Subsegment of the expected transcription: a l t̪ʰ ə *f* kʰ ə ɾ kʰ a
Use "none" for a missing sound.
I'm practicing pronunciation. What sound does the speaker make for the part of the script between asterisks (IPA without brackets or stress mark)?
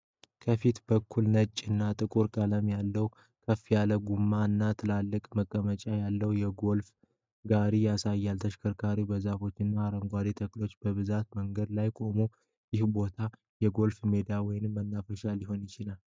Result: ʃ